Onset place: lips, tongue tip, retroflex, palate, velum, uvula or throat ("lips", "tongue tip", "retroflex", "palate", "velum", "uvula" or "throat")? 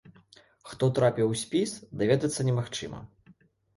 velum